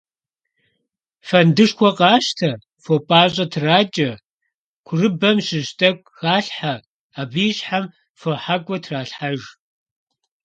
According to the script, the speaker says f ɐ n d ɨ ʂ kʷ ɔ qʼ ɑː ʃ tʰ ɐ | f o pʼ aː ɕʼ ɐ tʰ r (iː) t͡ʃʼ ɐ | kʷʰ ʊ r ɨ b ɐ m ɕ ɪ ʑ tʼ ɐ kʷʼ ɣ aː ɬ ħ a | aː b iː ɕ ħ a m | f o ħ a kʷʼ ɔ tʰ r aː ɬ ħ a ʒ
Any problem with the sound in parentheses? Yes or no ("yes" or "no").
yes